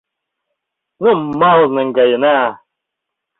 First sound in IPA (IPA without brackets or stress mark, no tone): n